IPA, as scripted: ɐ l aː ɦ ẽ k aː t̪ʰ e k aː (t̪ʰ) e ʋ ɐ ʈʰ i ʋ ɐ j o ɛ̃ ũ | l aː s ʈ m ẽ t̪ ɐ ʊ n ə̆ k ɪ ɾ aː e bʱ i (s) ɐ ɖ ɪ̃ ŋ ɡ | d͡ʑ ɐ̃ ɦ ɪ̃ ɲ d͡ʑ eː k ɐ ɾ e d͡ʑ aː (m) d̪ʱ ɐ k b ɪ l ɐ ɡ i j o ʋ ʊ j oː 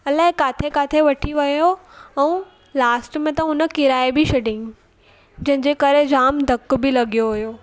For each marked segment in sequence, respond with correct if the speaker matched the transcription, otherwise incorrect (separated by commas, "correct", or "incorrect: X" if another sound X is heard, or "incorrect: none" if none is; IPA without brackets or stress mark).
correct, incorrect: ʃ, correct